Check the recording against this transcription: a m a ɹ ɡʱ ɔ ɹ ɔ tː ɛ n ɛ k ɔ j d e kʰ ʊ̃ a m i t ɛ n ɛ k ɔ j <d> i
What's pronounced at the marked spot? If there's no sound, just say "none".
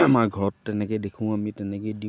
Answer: d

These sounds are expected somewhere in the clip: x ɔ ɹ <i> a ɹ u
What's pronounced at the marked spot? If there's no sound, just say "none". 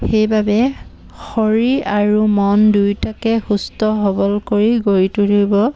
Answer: i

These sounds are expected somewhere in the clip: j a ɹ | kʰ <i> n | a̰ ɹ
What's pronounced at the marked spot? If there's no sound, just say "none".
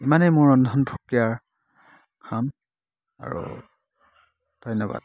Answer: a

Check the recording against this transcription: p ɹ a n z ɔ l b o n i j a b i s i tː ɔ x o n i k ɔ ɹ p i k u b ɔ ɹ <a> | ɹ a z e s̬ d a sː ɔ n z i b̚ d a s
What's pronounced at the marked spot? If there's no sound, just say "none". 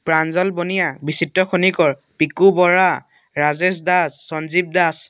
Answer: a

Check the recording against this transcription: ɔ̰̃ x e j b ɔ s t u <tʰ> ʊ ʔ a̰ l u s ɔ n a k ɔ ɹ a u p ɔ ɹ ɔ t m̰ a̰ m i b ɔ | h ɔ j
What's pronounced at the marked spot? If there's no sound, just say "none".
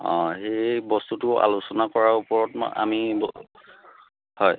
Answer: t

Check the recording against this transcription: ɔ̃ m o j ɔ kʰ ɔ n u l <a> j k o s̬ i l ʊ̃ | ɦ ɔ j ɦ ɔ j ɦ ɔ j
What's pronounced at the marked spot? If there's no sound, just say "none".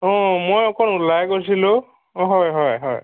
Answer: a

